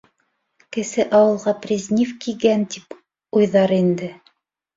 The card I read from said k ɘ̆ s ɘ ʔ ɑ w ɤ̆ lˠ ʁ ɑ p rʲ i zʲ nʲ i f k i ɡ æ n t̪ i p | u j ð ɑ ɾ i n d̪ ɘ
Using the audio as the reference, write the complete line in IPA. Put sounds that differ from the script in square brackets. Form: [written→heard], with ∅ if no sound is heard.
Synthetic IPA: k ɘ̆ s ɘ ʔ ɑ w ɤ̆ lˠ ʁ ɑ p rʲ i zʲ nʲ i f k i ɡ æ n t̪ i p | u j ð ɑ ɾ i n d̪ ɘ